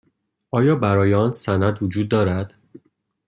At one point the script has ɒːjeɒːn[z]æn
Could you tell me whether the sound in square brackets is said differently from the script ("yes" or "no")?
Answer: yes